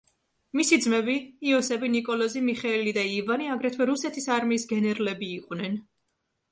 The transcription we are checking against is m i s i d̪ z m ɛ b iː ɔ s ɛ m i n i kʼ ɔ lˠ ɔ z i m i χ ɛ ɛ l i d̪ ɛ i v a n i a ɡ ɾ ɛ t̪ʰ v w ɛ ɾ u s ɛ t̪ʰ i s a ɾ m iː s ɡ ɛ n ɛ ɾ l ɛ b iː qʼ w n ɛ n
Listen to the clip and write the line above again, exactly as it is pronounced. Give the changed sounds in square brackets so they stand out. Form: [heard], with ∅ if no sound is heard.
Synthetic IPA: m i s i d̪ z m ɛ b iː ɔ s ɛ [b] i n i kʼ ɔ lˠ ɔ z i m i χ ɛ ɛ l i d̪ [a] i v a n i a ɡ ɾ ɛ t̪ʰ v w ɛ ɾ u s ɛ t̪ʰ i s a ɾ m iː s ɡ ɛ n ɛ ɾ l ɛ b iː qʼ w n ɛ n